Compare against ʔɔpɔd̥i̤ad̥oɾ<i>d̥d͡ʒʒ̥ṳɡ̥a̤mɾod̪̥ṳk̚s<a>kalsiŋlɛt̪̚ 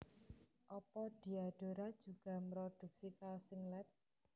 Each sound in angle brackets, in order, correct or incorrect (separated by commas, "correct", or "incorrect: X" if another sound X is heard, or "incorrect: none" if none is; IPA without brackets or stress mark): incorrect: a, incorrect: i